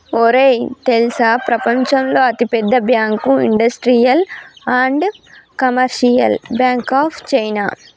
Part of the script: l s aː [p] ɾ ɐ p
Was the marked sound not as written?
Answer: no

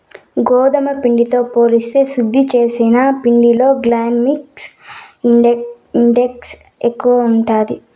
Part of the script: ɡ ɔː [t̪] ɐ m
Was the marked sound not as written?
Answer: yes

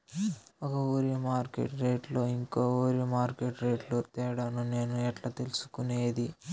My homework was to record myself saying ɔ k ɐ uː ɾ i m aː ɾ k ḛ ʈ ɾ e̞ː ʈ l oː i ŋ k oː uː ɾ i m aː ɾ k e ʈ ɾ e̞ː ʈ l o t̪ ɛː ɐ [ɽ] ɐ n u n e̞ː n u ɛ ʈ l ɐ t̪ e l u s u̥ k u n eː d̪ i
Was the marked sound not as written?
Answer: no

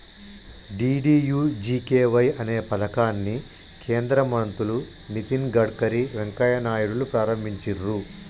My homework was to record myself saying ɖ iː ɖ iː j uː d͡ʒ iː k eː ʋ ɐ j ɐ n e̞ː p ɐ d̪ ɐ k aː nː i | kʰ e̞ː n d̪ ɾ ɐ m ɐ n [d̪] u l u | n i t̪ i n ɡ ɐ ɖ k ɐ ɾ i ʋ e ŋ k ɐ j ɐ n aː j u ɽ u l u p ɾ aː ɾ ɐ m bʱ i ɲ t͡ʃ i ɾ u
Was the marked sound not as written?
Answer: yes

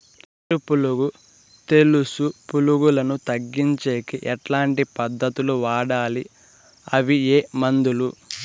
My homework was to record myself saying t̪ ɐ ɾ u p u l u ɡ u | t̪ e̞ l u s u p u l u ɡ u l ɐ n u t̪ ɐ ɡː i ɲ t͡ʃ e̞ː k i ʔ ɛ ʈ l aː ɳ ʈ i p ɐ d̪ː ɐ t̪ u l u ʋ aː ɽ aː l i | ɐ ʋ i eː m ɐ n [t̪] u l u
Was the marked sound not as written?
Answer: yes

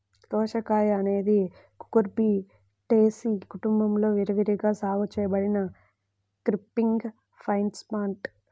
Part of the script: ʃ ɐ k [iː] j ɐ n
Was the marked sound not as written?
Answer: yes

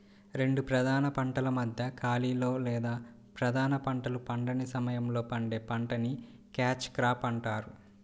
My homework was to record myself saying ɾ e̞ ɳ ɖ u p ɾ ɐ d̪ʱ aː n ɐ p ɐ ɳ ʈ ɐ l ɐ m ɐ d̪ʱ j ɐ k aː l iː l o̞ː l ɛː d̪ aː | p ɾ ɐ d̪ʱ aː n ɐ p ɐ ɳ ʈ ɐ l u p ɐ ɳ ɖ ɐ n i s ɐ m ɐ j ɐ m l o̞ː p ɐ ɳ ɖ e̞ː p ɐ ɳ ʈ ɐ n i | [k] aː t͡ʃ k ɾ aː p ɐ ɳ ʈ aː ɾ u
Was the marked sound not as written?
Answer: no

